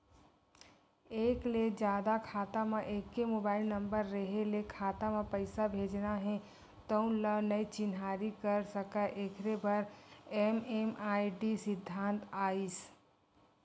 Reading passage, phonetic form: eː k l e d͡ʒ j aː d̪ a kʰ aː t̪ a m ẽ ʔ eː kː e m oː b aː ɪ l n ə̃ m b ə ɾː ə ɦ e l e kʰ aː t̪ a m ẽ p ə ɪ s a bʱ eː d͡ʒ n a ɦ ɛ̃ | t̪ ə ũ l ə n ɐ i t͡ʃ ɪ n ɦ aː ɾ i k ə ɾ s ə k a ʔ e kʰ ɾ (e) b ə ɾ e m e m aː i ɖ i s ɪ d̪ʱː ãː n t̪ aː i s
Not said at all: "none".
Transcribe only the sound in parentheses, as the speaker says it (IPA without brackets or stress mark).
e